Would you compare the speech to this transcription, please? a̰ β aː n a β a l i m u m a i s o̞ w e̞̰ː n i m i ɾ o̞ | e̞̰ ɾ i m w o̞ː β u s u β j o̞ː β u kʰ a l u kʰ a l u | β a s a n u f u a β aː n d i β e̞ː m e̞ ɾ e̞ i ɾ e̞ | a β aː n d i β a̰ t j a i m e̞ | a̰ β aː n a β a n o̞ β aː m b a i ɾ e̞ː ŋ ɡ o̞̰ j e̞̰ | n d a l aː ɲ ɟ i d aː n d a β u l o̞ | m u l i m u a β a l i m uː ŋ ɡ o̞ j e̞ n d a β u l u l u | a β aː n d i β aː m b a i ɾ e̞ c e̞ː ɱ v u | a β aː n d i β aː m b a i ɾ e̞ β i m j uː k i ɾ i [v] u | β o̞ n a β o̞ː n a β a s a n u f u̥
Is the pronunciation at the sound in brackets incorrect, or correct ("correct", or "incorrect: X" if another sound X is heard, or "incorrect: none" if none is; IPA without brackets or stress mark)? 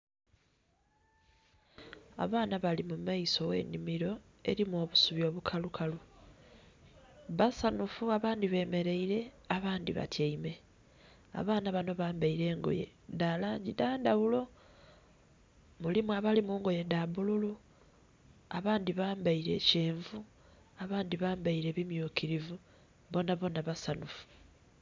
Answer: correct